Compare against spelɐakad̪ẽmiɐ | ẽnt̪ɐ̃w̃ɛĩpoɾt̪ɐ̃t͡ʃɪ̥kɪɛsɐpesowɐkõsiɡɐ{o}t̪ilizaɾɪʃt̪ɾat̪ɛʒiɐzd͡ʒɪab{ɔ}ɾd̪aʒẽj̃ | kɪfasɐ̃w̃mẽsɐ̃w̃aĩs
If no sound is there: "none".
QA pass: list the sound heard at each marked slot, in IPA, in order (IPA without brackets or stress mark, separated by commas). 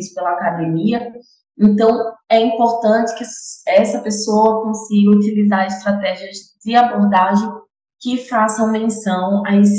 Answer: u, o